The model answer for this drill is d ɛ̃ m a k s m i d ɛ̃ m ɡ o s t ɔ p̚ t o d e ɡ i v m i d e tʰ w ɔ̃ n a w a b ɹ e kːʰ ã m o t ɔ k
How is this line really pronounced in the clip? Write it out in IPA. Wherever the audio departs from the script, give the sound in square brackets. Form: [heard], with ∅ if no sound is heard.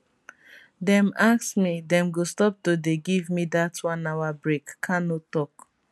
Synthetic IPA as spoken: d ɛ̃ m a k s m i d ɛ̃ m ɡ o s t ɔ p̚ t o d e ɡ i v m i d [a] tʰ w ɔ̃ n a w a b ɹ e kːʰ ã [n] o t ɔ k